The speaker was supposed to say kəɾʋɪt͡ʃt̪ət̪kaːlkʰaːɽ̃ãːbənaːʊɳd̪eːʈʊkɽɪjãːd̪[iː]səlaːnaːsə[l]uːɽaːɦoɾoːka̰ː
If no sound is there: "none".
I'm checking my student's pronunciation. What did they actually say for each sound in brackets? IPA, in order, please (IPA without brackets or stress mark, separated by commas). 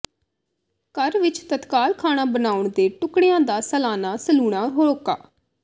aː, l